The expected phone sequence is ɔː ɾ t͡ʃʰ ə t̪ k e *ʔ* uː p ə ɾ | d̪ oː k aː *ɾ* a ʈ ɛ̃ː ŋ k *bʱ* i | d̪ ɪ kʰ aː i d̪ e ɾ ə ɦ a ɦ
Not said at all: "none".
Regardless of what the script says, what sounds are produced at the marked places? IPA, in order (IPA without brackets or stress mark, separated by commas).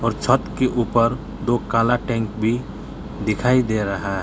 ʔ, l, bʱ